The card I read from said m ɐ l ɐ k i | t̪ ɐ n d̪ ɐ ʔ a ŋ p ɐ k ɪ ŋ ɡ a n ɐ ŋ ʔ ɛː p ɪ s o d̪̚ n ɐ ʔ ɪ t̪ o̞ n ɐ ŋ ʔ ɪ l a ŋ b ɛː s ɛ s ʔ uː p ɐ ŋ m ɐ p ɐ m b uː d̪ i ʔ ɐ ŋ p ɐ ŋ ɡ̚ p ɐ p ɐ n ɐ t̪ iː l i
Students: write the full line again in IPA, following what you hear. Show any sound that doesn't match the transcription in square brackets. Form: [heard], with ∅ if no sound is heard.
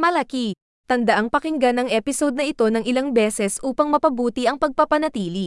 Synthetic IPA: m ɐ l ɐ k i | t̪ ɐ n d̪ ɐ ʔ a ŋ p ɐ k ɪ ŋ ɡ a n ɐ ŋ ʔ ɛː p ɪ s o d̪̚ n ɐ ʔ ɪ t̪ o̞ n ɐ ŋ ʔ ɪ l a ŋ b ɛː s ɛ s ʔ uː p ɐ ŋ m ɐ p ɐ [∅] b uː [t̪] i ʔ ɐ ŋ p ɐ [∅] ɡ̚ p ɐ p ɐ n ɐ t̪ iː l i